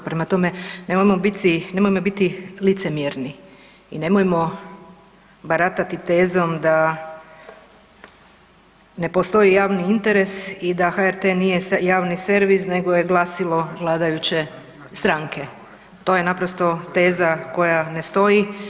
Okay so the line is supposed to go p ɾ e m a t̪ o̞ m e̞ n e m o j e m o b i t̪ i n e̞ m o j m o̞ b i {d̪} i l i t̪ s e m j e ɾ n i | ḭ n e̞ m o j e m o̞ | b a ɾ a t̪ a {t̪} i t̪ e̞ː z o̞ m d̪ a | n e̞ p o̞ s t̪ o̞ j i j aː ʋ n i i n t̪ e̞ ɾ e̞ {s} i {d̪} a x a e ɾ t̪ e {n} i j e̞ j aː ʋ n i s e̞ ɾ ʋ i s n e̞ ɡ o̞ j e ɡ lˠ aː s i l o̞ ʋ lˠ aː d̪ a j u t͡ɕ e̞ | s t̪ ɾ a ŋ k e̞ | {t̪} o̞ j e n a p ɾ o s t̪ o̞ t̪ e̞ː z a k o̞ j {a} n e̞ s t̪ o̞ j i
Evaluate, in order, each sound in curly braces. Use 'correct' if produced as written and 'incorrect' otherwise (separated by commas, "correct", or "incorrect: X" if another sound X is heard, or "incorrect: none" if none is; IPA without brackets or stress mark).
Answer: incorrect: t̪, correct, correct, correct, correct, correct, correct